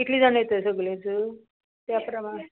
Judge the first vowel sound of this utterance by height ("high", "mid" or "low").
high